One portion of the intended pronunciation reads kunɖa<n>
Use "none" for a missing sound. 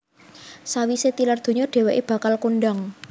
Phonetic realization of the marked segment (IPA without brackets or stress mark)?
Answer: ŋ